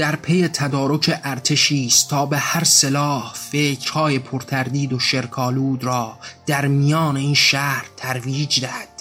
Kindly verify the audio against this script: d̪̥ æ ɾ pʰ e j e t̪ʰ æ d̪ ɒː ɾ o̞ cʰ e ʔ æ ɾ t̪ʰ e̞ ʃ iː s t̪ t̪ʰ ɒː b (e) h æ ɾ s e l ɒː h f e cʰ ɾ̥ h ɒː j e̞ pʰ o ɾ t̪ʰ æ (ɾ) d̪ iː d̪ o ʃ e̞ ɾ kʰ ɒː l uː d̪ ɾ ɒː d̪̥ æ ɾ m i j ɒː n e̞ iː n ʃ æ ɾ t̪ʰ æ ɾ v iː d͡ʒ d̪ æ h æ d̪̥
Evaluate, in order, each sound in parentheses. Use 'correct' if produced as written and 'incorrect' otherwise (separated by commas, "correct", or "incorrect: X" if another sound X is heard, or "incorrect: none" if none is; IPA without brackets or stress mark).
correct, correct